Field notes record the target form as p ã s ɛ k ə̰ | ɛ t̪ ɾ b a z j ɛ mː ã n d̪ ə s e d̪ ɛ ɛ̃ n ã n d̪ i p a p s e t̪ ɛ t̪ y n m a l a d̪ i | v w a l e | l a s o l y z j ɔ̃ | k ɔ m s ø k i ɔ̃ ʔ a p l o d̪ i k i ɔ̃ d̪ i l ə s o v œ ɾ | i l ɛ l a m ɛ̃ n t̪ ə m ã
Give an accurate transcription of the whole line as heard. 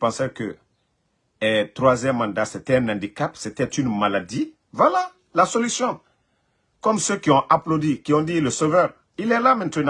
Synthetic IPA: p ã s ɛ k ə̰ | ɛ t̪ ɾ w a z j ɛ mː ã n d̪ a s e t̪ ɛ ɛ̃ n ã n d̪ i k a p s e t̪ ɛ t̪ y n m a l a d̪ i | v w a l a | l a s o l y s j ɔ̃ | k ɔ m s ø k i ɔ̃ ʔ a p l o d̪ i k i ɔ̃ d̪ i l ə s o v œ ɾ | i l ɛ l a m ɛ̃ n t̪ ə n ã